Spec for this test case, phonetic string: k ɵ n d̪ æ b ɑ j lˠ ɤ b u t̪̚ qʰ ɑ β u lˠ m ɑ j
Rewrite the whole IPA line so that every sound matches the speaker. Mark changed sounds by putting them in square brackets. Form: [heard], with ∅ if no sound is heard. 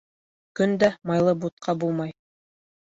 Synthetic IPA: k ɵ n d̪ æ [m] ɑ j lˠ ɤ b u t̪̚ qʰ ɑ [b] u lˠ m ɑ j